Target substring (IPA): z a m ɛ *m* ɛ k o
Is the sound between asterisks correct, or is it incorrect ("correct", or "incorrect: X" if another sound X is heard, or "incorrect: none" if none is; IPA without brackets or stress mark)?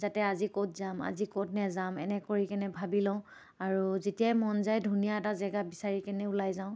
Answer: incorrect: n